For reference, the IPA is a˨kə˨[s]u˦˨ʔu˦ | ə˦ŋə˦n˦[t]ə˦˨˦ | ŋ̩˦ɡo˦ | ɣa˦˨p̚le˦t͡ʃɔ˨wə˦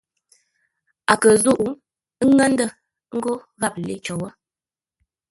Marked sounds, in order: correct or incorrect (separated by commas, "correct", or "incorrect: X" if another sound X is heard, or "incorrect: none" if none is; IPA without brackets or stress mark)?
incorrect: z, incorrect: d